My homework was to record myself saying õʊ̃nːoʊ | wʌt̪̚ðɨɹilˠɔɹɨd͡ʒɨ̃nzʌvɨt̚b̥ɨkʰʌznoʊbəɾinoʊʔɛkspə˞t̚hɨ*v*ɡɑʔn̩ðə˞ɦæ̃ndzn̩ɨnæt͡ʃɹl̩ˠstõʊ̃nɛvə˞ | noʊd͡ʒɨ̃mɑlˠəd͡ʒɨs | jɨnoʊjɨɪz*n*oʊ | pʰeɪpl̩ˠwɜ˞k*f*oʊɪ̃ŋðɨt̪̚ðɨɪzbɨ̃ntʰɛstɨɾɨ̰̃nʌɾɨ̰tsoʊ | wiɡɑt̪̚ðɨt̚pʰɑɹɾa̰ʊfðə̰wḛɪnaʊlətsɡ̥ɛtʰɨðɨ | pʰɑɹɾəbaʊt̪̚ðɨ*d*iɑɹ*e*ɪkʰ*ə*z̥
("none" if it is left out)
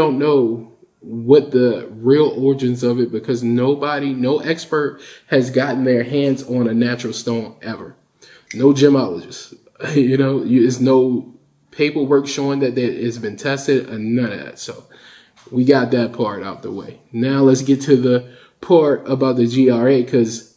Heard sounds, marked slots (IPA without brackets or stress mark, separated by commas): z, n, ʃ, d͡ʒ, e, ʌ